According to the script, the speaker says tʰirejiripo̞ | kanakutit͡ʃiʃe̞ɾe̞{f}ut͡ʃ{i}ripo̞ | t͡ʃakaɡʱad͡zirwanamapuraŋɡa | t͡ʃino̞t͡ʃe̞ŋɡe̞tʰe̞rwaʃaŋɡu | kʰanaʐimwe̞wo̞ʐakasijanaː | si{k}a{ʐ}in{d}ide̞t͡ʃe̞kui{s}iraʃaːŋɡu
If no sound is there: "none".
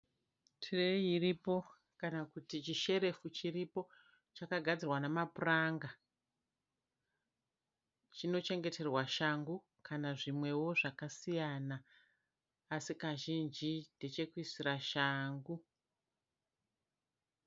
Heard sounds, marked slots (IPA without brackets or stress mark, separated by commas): f, i, k, ʒ, d͡ʒ, s